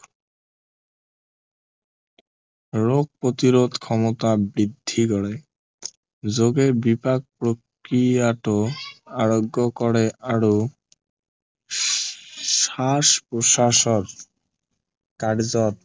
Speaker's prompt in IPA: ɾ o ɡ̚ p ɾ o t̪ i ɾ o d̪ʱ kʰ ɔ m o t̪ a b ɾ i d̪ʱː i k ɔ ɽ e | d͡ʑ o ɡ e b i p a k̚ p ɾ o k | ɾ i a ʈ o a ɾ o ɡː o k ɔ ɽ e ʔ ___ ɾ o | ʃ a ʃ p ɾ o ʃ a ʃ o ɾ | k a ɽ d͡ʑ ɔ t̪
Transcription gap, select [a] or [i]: a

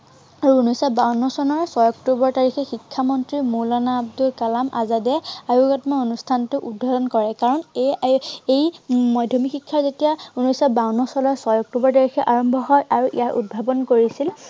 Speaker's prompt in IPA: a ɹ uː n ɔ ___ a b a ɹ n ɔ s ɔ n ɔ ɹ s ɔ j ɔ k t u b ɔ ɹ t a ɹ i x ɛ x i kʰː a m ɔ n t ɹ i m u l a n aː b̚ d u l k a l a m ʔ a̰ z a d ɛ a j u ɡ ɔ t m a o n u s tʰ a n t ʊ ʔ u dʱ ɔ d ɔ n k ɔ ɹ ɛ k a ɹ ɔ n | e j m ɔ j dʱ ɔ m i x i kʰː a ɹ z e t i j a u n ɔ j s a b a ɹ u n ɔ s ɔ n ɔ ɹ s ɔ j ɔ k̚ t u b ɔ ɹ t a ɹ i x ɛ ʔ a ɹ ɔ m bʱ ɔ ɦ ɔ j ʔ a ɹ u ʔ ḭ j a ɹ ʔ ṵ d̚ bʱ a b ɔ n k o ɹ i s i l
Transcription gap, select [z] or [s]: s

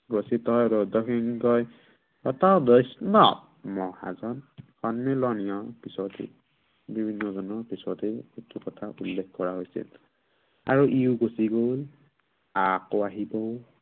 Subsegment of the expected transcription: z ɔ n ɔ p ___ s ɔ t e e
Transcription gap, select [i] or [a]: i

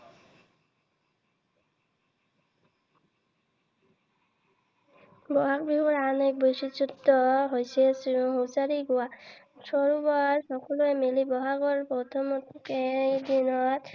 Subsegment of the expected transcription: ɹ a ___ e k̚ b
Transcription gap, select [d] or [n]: n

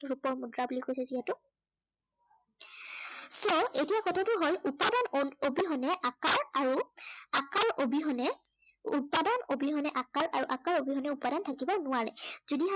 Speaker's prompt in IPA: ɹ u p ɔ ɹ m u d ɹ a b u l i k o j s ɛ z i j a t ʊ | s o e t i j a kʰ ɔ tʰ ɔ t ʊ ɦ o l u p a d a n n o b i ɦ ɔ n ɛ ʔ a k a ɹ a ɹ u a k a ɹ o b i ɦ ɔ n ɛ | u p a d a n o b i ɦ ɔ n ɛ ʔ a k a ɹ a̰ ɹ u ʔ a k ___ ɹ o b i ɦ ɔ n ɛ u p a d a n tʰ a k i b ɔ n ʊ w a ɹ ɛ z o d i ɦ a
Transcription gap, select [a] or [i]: a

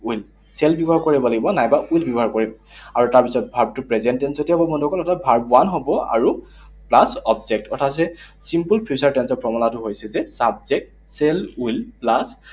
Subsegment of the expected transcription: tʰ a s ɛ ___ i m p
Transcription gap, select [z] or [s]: s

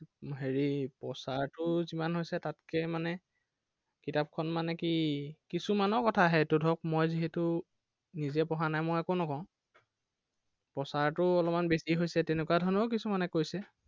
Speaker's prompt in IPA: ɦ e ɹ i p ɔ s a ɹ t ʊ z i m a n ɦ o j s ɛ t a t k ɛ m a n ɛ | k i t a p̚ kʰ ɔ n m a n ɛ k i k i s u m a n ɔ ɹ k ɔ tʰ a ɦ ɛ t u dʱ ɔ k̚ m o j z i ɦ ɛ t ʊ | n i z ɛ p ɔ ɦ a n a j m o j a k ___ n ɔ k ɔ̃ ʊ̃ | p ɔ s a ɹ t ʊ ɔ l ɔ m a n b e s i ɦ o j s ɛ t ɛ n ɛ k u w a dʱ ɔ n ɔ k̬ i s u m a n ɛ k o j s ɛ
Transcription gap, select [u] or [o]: o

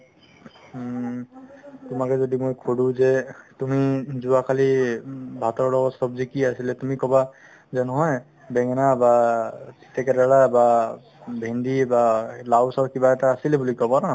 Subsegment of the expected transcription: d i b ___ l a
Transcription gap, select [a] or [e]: a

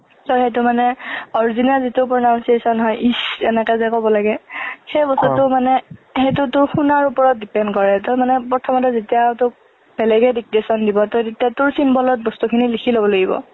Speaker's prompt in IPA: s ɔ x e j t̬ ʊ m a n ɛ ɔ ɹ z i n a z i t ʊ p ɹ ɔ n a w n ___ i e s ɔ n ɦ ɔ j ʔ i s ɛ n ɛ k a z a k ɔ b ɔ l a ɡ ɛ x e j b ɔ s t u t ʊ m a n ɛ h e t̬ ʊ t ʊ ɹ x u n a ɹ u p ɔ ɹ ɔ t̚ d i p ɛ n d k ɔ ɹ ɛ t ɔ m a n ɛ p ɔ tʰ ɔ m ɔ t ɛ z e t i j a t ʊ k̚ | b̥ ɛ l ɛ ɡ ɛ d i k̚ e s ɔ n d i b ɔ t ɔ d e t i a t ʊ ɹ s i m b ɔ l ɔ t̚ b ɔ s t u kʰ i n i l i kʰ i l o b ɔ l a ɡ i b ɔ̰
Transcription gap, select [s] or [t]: s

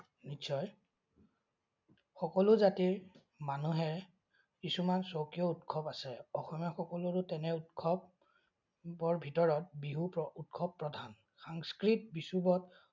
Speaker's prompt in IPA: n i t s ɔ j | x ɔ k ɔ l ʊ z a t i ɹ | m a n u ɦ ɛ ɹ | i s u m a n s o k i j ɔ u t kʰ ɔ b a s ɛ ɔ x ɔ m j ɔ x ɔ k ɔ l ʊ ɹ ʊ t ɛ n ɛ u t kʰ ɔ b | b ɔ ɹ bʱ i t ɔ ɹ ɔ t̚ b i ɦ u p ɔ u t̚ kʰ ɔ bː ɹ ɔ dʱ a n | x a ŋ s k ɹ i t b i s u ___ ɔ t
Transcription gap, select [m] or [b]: b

